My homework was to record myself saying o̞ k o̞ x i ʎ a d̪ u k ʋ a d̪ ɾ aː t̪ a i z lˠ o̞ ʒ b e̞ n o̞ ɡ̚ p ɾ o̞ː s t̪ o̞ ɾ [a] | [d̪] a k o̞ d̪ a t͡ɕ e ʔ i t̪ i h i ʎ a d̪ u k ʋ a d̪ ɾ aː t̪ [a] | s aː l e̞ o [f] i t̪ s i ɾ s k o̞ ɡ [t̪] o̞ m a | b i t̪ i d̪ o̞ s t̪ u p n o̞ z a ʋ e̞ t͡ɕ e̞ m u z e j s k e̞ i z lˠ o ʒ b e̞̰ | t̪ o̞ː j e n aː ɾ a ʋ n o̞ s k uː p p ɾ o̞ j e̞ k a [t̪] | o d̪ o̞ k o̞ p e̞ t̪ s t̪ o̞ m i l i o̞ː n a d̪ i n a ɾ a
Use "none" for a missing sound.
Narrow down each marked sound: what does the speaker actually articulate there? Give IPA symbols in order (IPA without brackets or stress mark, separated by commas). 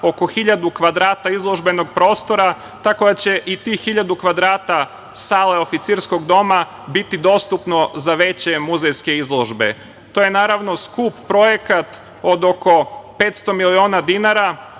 a, t̪, a, f, d̪, t̪